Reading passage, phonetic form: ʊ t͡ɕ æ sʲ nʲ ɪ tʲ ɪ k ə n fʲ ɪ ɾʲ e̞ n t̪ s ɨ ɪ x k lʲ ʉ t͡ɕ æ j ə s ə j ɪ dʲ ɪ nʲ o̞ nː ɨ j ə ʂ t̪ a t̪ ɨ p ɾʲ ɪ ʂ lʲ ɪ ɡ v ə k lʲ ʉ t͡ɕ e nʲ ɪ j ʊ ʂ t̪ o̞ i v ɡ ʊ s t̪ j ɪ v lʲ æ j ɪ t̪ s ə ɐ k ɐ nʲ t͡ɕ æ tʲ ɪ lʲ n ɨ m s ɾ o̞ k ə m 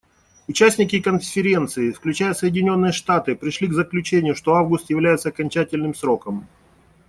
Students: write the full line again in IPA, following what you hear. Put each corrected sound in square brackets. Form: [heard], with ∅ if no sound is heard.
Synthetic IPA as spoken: ʊ t͡ɕ æ sʲ nʲ ɪ [kʲ] ɪ k ə n fʲ ɪ ɾʲ e̞ n t̪ s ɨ ɪ [f] k lʲ ʉ t͡ɕ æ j ə s ə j ɪ dʲ ɪ nʲ o̞ nː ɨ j ə ʂ t̪ a t̪ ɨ p ɾʲ ɪ ʂ lʲ [i] ɡ [z] ə k lʲ ʉ t͡ɕ e nʲ ɪ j ʊ ʂ t̪ o̞ [a] v ɡ ʊ s t̪ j ɪ v lʲ æ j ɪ t̪ s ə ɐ k ɐ nʲ t͡ɕ æ tʲ ɪ lʲ n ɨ m s ɾ o̞ k ə m

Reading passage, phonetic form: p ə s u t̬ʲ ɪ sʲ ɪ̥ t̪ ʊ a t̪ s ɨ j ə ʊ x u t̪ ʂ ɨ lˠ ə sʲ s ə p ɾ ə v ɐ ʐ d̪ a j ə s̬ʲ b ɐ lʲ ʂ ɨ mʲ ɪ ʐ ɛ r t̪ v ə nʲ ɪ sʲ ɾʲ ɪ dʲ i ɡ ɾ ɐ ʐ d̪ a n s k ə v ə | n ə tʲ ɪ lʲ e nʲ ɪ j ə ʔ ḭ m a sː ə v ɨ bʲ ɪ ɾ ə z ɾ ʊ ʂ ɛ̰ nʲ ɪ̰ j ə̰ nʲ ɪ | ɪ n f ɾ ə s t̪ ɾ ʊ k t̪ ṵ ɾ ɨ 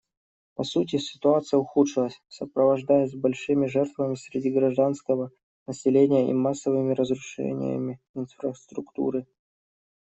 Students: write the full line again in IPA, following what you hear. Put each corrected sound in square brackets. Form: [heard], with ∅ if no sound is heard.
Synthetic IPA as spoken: p [ɐ] s u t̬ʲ ɪ sʲ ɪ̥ t̪ ʊ a t̪ s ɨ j ə ʊ x u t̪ ʂ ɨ lˠ ə sʲ s ə p ɾ ə v ɐ ʐ d̪ a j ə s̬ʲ b ɐ lʲ ʂ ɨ mʲ ɪ ʐ ɛ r t̪ v ə [mʲ] ɪ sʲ ɾʲ ɪ dʲ i ɡ ɾ ɐ ʐ d̪ a n s k ə v ə | n ə [sʲ] ɪ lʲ e nʲ ɪ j ə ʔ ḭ m a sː ə v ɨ [mʲ] ɪ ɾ ə z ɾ ʊ ʂ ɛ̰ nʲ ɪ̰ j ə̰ [mʲ] ɪ | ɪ n f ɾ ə s t̪ ɾ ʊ k t̪ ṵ ɾ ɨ

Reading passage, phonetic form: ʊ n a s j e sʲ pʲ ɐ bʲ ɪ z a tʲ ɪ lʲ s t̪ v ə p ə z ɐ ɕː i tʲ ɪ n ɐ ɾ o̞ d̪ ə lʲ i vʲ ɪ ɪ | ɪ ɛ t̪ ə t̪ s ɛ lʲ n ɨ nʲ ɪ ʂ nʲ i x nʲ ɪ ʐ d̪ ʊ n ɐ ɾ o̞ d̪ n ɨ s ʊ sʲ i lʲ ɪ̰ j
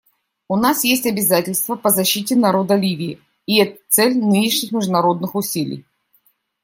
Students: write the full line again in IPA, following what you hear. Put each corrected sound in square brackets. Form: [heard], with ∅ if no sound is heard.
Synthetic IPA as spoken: ʊ n a s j e sʲ [tʲ] ɐ bʲ ɪ z a tʲ ɪ lʲ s t̪ v ə p ə z ɐ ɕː i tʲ ɪ n ɐ ɾ o̞ d̪ ə lʲ i vʲ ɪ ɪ | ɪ ɛ t̪ ə t̪ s ɛ lʲ n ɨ nʲ ɪ ʂ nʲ [ɪ] x [mʲ] ɪ ʐ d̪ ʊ n ɐ ɾ o̞ d̪ n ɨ [x] ʊ sʲ i lʲ ɪ̰ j

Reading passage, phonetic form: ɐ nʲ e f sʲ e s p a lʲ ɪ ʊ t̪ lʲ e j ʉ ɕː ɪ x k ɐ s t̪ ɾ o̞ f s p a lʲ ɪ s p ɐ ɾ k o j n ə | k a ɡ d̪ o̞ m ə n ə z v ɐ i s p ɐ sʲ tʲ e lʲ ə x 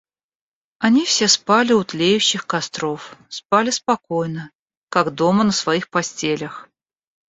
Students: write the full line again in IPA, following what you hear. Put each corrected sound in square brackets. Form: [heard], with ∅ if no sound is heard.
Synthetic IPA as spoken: ɐ nʲ [i] f sʲ e s p a lʲ ɪ ʊ t̪ lʲ e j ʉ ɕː ɪ x k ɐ s t̪ ɾ o̞ f s p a lʲ ɪ s p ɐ [∅] k o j n ə | k a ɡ d̪ o̞ m ə n ə [s] v ɐ i [x] p ɐ sʲ tʲ e lʲ ə x

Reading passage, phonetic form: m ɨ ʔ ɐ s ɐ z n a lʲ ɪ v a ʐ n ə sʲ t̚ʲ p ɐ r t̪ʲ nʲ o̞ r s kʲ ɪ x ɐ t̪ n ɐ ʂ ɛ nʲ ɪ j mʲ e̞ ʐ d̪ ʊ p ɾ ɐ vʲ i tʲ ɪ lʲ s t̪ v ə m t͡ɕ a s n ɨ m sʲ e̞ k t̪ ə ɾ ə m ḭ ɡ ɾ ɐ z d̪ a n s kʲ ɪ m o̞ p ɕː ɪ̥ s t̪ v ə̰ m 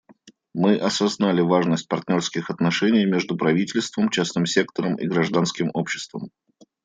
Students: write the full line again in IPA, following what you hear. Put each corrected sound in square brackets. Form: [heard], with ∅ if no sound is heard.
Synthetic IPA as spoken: m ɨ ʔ ɐ s ɐ z n a lʲ ɪ v a ʐ n ə sʲ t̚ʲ p ɐ r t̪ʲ nʲ o̞ r s kʲ ɪ x ɐ t̪ n ɐ ʂ ɛ nʲ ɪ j mʲ e̞ ʐ d̪ ʊ p ɾ ɐ vʲ i tʲ ɪ lʲ s t̪ v ə m t͡ɕ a s n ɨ m sʲ e̞ k t̪ ə ɾ ə m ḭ ɡ ɾ ɐ [ʐ] d̪ a n s kʲ ɪ m o̞ p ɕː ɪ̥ s t̪ v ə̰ m

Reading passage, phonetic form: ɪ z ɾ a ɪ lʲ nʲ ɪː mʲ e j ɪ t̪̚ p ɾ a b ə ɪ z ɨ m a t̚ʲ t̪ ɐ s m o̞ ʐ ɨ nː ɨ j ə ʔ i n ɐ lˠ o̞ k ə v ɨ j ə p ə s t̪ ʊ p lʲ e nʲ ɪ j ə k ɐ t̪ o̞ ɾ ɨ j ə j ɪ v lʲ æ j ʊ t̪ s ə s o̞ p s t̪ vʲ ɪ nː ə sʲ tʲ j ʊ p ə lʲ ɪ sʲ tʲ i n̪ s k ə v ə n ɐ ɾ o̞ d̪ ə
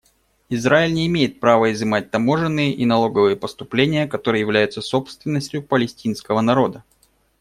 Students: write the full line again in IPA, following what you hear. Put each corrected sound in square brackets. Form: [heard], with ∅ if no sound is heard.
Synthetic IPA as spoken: ɪ z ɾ a ɪ lʲ nʲ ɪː mʲ e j ɪ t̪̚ p ɾ a [v] ə ɪ z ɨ m a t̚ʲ t̪ ɐ [∅] m o̞ ʐ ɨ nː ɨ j ə ʔ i n ɐ lˠ o̞ [ɡ] ə v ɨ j ə p ə s t̪ ʊ p lʲ e nʲ ɪ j ə k ɐ t̪ o̞ ɾ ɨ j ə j ɪ v lʲ æ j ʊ t̪ s ə s o̞ p s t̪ vʲ ɪ nː ə sʲ tʲ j ʊ p ə lʲ ɪ sʲ tʲ i n̪ s k ə v ə n ɐ ɾ o̞ d̪ ə

